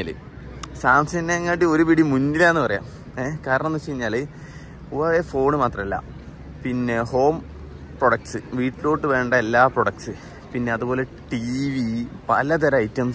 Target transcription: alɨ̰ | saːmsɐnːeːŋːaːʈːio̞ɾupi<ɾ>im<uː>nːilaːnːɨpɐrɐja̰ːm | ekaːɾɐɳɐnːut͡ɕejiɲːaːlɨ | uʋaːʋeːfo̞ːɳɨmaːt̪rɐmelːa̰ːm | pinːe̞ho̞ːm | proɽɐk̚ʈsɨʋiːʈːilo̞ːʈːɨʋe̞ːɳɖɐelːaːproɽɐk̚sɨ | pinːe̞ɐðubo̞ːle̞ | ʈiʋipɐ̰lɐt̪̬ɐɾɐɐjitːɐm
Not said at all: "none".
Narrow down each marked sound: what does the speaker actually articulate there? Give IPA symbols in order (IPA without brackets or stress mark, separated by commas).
ɽ, u